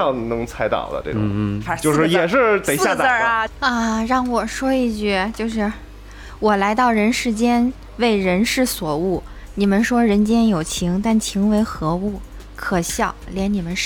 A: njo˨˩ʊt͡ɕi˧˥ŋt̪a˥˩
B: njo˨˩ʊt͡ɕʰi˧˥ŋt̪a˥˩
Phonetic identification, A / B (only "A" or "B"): B